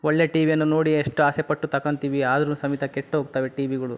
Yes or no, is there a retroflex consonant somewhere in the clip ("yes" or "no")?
yes